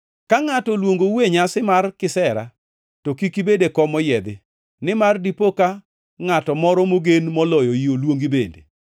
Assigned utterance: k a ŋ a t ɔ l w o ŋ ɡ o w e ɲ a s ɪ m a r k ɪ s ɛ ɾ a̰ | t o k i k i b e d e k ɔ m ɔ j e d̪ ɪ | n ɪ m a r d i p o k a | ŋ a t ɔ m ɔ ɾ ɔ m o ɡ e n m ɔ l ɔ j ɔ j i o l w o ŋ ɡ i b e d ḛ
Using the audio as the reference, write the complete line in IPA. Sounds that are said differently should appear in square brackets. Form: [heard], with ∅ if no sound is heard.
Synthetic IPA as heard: k a ŋ a t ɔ l w o ŋ ɡ o w e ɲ a s ɪ m a r k ɪ s ɛ ɾ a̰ | t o k i k i b e d e k ɔ m ɔ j [ɛ] d̪ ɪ | n ɪ m a r d i p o k a | ŋ a t ɔ m ɔ ɾ ɔ m o ɡ e n m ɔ l ɔ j ɔ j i o l w o ŋ ɡ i b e d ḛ